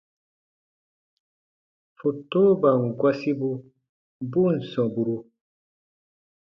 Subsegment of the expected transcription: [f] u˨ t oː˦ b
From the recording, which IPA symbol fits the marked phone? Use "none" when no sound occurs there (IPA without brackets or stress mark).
f